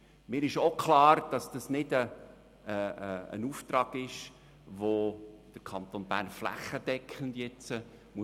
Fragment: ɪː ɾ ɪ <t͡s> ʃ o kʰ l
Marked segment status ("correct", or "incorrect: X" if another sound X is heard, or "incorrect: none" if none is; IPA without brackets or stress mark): incorrect: none